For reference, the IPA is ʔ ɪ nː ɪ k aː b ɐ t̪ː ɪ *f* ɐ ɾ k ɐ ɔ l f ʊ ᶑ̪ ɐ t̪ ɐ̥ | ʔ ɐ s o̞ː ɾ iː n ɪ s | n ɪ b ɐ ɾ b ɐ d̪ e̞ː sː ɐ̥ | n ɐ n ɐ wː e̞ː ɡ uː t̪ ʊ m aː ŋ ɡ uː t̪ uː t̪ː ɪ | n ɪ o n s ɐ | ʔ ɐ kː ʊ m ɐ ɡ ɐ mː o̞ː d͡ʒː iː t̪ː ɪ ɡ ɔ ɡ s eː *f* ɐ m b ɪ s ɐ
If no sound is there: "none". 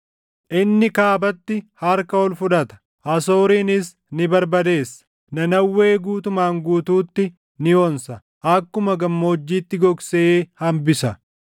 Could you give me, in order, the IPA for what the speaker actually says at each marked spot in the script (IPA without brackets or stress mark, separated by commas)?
h, h